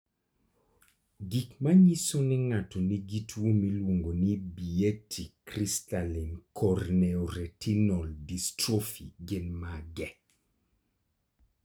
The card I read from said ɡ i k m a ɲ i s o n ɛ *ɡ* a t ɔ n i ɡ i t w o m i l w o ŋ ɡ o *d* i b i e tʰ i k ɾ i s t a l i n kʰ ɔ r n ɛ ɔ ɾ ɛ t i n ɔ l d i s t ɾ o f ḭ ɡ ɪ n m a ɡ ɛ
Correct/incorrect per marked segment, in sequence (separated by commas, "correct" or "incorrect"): incorrect, incorrect